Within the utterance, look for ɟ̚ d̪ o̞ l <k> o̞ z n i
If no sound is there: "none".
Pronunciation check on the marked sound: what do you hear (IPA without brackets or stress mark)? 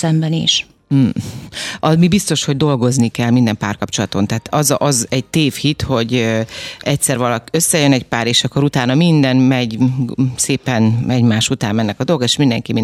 ɡ